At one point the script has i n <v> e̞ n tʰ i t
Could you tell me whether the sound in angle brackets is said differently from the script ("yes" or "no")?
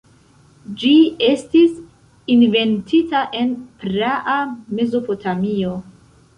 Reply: no